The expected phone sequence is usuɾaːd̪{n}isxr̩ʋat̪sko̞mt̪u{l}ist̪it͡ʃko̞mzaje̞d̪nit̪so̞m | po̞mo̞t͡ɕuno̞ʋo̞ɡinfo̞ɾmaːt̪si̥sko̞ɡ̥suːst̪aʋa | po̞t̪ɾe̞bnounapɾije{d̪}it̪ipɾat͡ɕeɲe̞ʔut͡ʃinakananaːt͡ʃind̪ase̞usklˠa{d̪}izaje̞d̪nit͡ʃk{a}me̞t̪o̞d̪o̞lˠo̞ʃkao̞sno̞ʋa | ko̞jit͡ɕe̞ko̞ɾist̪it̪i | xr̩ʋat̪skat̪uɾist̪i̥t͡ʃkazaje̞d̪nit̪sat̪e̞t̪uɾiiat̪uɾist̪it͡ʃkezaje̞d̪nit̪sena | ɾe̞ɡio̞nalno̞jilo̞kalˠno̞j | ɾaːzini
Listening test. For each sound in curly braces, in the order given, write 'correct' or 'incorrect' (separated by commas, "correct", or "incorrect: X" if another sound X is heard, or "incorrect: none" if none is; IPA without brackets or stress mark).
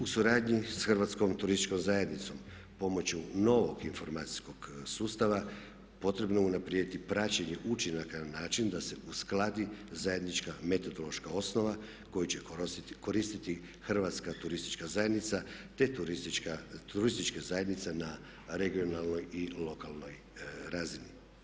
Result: incorrect: ɲ, incorrect: ɾ, correct, correct, correct